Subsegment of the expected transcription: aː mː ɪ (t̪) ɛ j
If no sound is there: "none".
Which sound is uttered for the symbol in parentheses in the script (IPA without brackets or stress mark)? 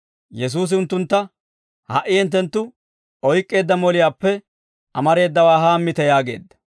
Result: t̪